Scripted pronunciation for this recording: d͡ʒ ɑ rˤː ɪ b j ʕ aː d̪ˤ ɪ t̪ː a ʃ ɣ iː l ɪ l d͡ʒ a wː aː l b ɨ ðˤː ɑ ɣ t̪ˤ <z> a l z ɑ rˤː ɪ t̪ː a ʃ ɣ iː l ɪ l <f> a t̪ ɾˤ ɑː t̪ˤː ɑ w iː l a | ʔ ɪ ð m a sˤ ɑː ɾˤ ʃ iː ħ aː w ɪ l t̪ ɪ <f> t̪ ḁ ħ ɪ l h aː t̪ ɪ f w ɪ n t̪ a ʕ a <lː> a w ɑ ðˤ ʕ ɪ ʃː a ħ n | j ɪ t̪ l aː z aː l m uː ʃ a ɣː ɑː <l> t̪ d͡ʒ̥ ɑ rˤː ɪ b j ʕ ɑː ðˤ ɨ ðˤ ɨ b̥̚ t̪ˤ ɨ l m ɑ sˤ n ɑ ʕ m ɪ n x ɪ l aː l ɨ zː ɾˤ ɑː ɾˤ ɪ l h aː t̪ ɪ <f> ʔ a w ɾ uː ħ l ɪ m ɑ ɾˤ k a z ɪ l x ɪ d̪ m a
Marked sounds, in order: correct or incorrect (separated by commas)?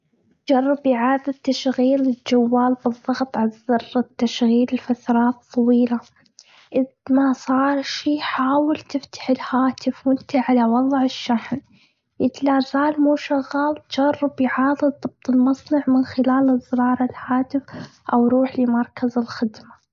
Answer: incorrect, correct, correct, incorrect, correct, correct